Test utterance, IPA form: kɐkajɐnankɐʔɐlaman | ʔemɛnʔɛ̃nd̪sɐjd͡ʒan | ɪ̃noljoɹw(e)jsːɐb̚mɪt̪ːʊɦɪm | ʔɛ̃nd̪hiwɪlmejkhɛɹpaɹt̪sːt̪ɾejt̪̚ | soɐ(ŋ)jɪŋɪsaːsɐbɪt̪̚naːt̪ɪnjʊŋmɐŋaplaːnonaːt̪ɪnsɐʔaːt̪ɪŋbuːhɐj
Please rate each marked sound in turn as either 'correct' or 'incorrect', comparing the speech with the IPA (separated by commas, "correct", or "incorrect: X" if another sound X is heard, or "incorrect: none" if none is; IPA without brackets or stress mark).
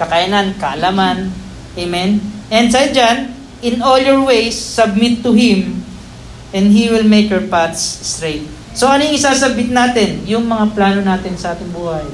correct, incorrect: n